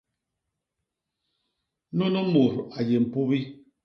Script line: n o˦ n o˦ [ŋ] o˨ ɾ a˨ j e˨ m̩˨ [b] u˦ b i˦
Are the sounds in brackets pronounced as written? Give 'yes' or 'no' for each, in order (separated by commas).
no, no